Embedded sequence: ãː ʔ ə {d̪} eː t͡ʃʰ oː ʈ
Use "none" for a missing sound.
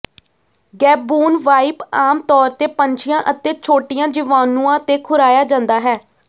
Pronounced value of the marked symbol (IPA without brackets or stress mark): t̪